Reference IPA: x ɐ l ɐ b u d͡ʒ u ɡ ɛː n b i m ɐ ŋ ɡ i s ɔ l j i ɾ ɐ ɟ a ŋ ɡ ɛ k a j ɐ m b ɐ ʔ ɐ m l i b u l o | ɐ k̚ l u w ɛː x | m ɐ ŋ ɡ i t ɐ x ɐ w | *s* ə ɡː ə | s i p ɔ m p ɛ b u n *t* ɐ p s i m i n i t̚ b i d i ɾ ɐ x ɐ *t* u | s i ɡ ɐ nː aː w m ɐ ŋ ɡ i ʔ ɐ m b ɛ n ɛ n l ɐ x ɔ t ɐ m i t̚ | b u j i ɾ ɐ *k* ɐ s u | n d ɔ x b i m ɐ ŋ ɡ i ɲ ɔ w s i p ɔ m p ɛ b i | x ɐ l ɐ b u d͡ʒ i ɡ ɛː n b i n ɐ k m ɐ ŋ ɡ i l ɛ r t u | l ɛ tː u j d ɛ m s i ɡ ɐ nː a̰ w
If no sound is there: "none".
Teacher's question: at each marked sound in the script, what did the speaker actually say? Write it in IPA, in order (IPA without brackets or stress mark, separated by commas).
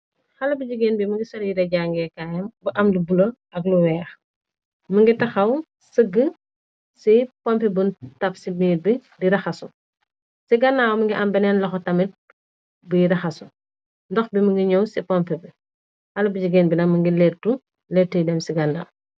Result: s, t, s, x